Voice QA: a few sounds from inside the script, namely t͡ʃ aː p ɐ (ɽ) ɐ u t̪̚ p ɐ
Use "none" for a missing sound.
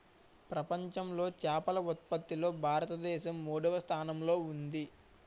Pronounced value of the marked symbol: l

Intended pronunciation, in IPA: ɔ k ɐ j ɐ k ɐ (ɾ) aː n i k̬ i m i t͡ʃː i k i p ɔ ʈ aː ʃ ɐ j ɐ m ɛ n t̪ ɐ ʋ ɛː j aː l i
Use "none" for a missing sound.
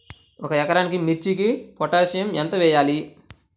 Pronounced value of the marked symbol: ɾ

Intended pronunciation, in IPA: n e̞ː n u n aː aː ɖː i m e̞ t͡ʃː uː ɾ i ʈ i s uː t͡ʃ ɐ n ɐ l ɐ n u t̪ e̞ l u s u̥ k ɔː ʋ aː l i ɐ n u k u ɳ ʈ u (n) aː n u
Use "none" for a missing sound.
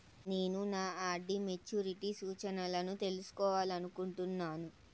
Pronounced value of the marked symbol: nː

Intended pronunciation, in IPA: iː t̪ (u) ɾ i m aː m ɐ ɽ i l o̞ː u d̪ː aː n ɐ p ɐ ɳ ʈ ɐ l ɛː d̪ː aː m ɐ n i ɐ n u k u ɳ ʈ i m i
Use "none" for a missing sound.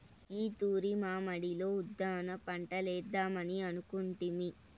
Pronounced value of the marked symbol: uː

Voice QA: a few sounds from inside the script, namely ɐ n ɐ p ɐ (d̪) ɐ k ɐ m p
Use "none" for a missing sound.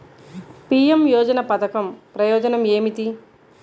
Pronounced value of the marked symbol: t̪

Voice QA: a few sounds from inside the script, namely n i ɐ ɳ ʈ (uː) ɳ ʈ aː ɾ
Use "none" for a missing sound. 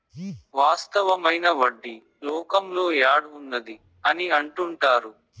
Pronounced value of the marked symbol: u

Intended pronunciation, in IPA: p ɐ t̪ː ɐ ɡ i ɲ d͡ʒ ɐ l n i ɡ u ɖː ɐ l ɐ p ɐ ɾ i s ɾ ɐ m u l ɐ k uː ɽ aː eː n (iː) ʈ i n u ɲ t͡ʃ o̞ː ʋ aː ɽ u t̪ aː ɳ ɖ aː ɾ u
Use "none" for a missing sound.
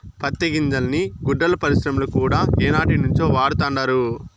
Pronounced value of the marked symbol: aː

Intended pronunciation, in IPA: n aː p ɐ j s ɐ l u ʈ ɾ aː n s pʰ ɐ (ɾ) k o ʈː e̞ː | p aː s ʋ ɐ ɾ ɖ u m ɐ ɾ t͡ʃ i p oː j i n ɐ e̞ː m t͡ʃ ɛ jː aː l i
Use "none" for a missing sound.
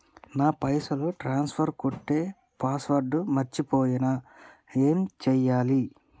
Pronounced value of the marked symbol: ɾ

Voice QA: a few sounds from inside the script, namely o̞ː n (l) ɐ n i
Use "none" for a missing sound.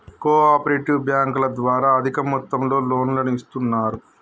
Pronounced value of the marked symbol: l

